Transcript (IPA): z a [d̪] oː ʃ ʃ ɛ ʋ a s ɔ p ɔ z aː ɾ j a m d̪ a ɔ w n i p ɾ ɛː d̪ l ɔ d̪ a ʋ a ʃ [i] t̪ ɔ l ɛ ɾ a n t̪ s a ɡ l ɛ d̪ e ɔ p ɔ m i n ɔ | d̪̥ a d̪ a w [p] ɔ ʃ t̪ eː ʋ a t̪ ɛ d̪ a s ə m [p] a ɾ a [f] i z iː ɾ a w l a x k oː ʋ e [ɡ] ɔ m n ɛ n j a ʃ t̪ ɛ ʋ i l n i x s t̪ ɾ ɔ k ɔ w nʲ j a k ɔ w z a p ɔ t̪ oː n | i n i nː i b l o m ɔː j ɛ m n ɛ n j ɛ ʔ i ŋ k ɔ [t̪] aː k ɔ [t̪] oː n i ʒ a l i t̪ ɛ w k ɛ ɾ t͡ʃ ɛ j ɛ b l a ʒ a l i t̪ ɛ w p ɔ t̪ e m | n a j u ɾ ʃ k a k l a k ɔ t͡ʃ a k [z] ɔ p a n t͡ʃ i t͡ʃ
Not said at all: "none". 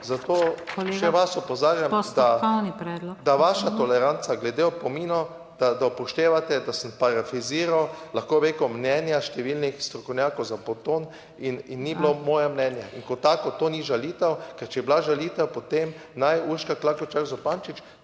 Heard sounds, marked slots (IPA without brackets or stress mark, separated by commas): t̪, a, p, p, f, k, t̪, t̪, z